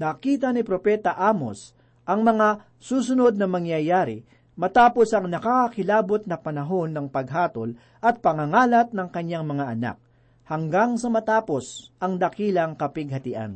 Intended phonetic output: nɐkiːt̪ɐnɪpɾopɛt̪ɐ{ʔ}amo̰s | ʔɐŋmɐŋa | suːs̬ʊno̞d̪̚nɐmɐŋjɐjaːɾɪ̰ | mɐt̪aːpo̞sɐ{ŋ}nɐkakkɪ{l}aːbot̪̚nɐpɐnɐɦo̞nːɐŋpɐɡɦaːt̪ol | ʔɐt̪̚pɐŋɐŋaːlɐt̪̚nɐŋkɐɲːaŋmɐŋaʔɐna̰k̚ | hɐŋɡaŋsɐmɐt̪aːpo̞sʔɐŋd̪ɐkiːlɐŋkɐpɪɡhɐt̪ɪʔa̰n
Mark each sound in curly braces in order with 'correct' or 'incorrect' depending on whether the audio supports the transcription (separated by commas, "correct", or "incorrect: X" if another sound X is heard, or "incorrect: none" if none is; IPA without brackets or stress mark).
correct, correct, correct